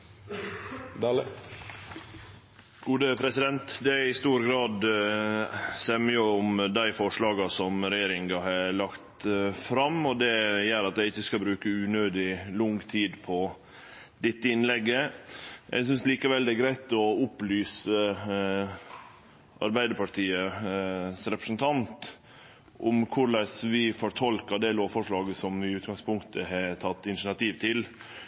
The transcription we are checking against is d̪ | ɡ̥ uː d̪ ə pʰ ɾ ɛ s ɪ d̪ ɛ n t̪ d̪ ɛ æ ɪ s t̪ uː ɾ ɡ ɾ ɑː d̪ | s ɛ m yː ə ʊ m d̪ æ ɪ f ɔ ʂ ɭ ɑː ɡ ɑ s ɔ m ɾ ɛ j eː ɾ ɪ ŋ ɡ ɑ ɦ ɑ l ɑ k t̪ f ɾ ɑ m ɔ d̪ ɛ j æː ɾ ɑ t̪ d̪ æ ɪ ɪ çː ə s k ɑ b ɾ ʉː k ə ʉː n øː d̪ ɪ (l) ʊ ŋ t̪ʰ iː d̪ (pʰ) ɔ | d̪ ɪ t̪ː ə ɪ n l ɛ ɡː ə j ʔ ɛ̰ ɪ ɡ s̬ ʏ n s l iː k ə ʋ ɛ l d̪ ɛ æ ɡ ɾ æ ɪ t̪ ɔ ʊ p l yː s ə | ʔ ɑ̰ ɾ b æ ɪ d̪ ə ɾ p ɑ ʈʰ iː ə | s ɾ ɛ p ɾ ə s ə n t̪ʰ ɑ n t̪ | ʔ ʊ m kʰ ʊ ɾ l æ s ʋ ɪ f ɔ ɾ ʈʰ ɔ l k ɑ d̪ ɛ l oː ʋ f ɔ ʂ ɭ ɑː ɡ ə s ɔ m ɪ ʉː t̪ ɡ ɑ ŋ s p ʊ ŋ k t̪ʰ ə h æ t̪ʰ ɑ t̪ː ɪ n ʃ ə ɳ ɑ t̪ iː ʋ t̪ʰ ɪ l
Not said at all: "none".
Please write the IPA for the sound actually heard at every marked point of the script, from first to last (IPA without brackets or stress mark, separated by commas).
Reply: l, pʰ